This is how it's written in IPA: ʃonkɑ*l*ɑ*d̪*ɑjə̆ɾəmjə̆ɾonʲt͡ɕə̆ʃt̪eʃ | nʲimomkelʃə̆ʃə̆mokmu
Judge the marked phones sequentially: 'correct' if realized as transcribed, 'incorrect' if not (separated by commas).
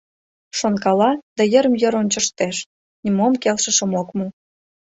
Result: correct, correct